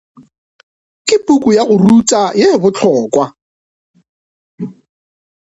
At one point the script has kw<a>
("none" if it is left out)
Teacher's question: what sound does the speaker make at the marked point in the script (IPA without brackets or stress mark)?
a